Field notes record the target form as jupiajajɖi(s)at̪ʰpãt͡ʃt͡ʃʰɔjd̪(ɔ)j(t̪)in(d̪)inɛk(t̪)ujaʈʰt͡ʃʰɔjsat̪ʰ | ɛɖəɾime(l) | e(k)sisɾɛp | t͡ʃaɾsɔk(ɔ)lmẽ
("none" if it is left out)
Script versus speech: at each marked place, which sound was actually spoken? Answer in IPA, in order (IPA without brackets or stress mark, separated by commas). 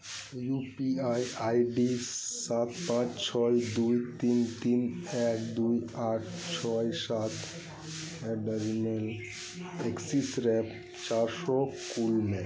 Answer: s, u, t̪, t̪, d̪, l, k, u